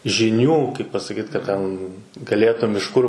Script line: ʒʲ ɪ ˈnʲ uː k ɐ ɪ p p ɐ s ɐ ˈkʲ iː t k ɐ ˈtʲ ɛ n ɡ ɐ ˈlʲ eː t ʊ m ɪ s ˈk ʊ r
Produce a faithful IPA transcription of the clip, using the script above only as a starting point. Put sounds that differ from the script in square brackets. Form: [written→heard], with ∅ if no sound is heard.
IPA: ʒʲ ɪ ˈnʲ uː k ɐ ɪ p p ɐ s ɐ ˈkʲ iː t k ɐ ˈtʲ ɛ n ɡ ɐ ˈlʲ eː t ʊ m ɪ [s→ʃ] ˈk ʊ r